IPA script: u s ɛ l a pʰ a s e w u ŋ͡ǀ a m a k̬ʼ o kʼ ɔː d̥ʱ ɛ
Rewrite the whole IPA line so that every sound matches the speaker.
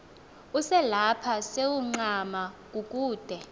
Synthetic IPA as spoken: u s ɛ l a pʰ a s e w u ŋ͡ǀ a m a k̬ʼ u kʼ uː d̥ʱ ɛ